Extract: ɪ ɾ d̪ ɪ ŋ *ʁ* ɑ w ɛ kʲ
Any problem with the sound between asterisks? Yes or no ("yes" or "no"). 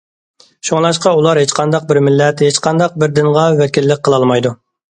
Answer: no